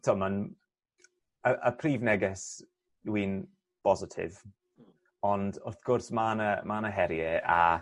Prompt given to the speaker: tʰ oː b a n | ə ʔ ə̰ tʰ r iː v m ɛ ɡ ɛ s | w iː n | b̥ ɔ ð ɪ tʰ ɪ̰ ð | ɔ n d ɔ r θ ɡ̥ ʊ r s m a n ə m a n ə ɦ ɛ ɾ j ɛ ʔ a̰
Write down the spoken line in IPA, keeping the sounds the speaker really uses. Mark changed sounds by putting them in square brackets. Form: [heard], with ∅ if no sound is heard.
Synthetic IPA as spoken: tʰ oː [m] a n | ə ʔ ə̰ [pʰ] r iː v [n] ɛ ɡ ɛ s | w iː n | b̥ ɔ [z] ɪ tʰ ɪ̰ [v] | ɔ n d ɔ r θ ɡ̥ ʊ r s m a n ə m a n ə ɦ ɛ ɾ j ɛ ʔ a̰